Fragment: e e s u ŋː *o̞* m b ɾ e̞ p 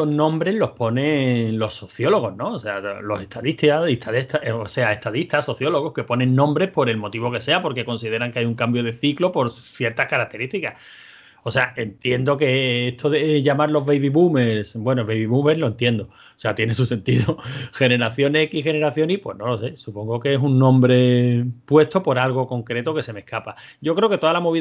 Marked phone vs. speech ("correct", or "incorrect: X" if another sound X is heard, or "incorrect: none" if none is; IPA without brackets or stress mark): incorrect: õ̞